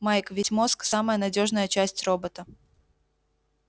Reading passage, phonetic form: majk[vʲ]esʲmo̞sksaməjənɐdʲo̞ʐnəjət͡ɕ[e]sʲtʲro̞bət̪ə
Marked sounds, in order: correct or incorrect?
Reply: correct, incorrect: æ

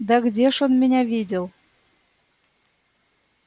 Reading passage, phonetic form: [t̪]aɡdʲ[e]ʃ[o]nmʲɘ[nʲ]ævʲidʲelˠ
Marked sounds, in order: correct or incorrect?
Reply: incorrect: d̪, correct, correct, correct

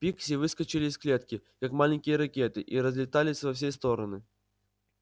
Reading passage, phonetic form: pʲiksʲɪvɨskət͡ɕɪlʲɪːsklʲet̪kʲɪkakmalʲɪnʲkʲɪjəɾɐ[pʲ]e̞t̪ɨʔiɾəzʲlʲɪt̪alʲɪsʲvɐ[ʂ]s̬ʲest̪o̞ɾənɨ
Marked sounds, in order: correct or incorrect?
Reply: incorrect: kʲ, incorrect: f

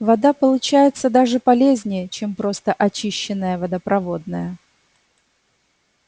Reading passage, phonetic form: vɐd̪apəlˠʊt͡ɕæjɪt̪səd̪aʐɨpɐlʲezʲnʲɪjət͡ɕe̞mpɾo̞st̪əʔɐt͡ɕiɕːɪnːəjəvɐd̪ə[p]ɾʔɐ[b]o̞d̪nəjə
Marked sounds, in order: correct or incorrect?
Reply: correct, incorrect: v

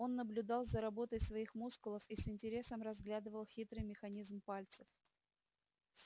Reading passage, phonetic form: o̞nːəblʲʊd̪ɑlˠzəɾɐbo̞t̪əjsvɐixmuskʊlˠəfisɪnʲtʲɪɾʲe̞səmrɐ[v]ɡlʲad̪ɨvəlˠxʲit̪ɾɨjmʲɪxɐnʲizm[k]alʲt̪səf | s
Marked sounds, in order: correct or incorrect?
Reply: incorrect: z, incorrect: p

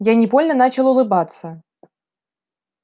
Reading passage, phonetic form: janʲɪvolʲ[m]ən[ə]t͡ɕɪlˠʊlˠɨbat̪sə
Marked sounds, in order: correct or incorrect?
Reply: incorrect: n, incorrect: a

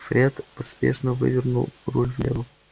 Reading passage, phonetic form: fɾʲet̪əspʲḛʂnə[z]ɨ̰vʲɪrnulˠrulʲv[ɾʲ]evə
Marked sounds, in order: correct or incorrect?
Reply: incorrect: v, incorrect: lʲ

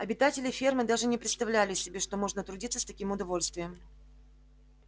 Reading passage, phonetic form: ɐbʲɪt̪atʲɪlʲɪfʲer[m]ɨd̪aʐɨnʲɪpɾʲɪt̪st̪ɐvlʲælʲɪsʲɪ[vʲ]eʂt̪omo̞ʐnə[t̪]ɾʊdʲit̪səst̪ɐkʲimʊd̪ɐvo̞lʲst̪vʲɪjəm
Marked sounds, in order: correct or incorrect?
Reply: correct, incorrect: bʲ, correct

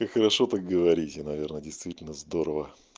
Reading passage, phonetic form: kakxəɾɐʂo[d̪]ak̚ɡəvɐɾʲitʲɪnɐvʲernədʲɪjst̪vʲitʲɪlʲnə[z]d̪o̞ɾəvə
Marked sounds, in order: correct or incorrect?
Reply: incorrect: t̪, correct

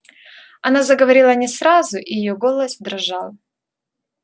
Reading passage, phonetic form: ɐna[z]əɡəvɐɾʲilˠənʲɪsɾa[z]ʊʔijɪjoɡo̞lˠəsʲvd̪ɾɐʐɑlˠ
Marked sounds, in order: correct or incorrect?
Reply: correct, correct

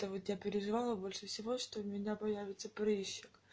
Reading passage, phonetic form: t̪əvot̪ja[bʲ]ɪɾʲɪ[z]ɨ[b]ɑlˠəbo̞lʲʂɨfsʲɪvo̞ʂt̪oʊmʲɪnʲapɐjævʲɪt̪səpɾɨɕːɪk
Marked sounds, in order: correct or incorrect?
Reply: incorrect: pʲ, incorrect: ʐ, incorrect: v

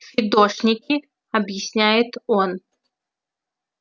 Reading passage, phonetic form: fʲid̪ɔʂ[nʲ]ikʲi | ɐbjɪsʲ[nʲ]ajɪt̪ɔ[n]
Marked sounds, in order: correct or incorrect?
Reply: correct, correct, correct

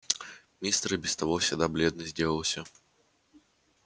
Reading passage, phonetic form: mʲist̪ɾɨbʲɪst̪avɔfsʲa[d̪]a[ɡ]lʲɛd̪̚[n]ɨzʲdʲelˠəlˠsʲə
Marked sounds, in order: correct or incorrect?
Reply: correct, incorrect: b, correct

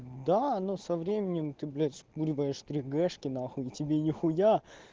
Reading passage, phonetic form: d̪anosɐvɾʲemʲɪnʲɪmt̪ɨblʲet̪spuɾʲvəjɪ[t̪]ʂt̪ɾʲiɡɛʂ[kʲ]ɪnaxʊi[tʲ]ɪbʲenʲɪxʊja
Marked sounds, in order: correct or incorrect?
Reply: incorrect: none, correct, correct

